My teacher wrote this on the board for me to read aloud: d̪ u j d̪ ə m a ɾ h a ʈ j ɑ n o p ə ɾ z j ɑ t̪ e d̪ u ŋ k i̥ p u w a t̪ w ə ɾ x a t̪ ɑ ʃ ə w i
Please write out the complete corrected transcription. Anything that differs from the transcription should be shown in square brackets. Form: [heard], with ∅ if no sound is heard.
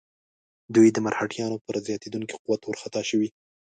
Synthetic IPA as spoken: d̪ u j d̪ ə m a ɾ h a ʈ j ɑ n o p ə ɾ z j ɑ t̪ e d̪ u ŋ k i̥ [q] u w a t̪ w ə ɾ x a t̪ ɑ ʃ ə w i